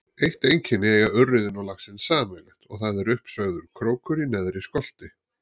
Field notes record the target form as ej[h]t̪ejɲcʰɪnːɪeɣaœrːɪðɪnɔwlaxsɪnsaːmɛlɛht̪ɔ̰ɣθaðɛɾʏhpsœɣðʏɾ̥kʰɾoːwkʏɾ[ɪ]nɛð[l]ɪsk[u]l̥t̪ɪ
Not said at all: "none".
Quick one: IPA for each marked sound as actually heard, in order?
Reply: h, i, ɾ, ɔ

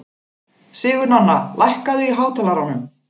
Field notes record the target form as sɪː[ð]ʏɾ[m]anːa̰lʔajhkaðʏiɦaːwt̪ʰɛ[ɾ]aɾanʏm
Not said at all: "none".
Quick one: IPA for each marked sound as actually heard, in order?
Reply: ɣ, n, l

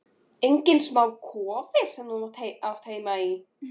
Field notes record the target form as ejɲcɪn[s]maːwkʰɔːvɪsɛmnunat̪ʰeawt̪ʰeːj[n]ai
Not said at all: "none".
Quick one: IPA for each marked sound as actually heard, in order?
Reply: s, m

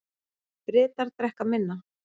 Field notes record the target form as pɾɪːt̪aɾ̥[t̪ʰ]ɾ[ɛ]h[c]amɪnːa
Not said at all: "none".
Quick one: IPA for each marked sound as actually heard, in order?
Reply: t̪, ɛ, k

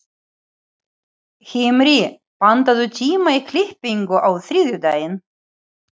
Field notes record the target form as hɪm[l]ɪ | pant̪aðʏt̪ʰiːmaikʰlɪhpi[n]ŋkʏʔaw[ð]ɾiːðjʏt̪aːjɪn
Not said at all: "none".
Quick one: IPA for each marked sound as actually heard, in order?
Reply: ɾ, none, θ

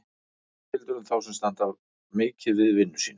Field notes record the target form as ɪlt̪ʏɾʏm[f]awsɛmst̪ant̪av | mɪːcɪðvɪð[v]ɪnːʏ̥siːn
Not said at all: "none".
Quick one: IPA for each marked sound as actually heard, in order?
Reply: θ, v

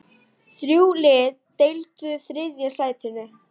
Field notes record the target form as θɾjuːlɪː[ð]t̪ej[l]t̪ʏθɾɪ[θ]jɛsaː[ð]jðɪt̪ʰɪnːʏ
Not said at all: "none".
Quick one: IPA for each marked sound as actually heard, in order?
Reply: ð, l, ð, none

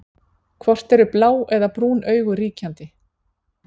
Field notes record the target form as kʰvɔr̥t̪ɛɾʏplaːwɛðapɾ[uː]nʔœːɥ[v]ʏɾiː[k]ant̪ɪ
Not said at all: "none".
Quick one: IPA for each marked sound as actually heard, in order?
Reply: uː, ɣ, c

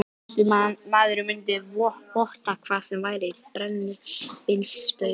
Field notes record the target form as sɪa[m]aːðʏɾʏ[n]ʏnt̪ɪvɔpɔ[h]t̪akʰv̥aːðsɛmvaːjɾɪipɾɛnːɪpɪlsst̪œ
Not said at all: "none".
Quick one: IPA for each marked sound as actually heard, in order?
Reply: m, m, h

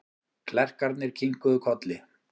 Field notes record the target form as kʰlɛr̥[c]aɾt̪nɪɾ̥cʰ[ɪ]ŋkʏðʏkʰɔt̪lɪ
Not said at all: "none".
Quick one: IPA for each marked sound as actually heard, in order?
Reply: k, i

